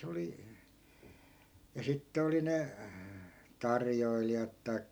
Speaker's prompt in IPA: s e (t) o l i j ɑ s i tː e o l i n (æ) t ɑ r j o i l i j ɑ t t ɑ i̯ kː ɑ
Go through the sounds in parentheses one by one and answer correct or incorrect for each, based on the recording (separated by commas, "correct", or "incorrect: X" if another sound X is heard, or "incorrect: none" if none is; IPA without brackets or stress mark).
incorrect: none, incorrect: e